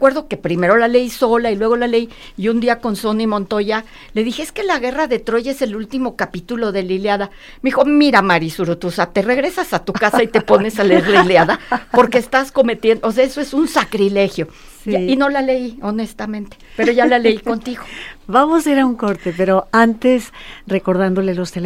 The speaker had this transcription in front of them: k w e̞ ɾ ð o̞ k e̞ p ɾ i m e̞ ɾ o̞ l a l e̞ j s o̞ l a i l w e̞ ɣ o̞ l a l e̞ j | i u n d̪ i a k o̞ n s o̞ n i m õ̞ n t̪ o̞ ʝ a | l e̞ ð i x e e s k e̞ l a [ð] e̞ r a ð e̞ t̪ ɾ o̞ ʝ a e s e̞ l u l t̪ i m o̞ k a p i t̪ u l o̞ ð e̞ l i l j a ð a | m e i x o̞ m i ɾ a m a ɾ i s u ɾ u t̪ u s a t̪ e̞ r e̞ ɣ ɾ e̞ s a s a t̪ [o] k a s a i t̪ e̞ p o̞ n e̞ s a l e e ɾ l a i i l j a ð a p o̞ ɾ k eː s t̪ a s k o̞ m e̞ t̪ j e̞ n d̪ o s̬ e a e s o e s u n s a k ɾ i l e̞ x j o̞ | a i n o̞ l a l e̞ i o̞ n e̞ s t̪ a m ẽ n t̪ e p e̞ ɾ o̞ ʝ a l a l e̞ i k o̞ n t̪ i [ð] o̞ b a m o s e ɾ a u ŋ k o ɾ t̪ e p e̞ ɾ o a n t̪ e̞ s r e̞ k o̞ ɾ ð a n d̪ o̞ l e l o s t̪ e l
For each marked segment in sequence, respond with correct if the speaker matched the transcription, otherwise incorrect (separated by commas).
incorrect, incorrect, incorrect